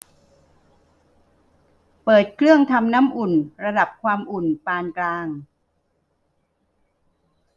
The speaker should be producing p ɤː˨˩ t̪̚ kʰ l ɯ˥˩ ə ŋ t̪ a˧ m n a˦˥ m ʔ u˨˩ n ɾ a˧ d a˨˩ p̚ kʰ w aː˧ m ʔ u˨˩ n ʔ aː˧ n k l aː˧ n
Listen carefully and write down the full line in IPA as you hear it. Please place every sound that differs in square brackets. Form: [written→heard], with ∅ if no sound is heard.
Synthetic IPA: p ɤː˨˩ t̪̚ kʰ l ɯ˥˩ ə ŋ [t̪→t̪ʰ] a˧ m n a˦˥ m ʔ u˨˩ n ɾ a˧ d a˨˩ p̚ kʰ w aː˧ m ʔ u˨˩ n [ʔ→p] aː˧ n k l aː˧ [n→ŋ]

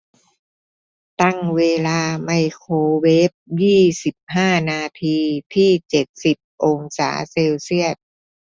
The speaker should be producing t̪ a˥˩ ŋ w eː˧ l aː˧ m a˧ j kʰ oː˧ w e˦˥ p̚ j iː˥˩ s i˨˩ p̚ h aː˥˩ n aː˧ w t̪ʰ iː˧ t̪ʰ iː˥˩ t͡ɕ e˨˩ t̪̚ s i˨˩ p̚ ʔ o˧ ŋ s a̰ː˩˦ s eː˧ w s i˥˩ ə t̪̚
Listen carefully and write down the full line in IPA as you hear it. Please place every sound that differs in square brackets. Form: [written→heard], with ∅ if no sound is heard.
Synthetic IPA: t̪ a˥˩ ŋ w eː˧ l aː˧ m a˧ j kʰ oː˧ w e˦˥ p̚ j iː˥˩ s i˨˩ p̚ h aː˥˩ n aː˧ [w→∅] t̪ʰ iː˧ t̪ʰ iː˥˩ t͡ɕ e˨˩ t̪̚ s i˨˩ p̚ ʔ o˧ ŋ s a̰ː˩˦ s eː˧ w s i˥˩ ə t̪̚

